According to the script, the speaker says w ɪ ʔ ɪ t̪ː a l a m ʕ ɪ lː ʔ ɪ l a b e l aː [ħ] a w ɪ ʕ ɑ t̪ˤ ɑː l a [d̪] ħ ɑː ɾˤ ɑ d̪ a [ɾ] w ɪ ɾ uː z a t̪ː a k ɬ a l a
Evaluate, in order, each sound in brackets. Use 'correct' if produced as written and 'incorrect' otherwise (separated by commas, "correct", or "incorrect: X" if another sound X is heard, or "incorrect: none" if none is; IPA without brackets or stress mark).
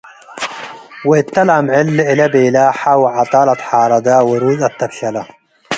correct, incorrect: t̪, incorrect: none